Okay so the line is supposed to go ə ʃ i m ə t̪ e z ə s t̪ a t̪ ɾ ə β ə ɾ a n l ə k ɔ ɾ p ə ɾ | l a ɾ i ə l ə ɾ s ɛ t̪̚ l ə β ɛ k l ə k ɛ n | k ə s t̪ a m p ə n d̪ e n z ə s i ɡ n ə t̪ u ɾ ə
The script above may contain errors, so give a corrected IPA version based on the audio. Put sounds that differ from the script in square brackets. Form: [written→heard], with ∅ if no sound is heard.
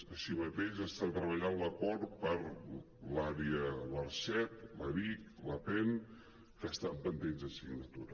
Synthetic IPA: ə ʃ i m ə t̪ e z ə s t̪ a t̪ ɾ ə β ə [ɾ→ʎ] a n l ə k ɔ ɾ p ə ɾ | l a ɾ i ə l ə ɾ s ɛ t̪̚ l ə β [ɛ→i] k l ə [k→p] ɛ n | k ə s t̪ a m p ə n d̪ e n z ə s i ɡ n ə t̪ u ɾ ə